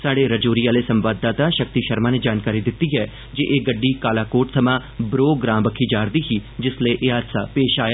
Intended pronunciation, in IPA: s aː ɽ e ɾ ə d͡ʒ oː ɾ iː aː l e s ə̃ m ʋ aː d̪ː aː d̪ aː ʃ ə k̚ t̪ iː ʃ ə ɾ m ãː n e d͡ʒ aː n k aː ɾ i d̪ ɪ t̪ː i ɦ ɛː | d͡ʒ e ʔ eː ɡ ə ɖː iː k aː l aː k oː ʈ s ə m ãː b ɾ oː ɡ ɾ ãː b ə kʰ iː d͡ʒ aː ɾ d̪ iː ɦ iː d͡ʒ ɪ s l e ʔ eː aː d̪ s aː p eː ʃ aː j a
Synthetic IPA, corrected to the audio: s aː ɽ e ɾ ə d͡ʒ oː ɾ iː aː l e s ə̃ m ʋ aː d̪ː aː t̪ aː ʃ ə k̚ t̪ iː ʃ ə ɾ m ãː n e d͡ʒ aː n k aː ɾ i d̪ ɪ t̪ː i ɦ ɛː | d͡ʒ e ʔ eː ɡ ə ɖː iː k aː l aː k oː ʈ s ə m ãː b ɾ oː ɡ ɾ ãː b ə kʰ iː d͡ʒ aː ɾ d̪ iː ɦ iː d͡ʒ ɪ s l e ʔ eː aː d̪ s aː p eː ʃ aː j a